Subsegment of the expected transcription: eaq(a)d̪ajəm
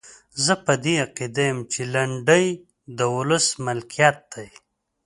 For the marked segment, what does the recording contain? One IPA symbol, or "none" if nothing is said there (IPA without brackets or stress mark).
i